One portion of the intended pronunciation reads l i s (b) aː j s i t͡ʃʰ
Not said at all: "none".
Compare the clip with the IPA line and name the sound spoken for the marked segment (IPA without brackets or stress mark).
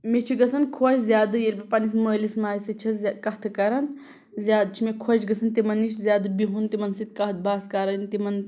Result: m